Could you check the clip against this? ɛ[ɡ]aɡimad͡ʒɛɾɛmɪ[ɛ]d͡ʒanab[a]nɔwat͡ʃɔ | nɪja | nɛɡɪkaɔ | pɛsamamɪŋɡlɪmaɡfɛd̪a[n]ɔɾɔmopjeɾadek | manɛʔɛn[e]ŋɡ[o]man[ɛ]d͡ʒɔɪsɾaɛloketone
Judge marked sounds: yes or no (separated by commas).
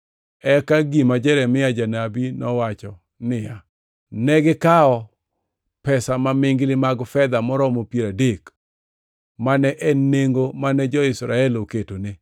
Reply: no, no, no, no, yes, yes, yes